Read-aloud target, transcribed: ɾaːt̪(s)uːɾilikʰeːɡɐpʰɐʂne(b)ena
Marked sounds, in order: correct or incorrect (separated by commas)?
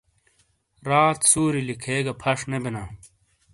correct, correct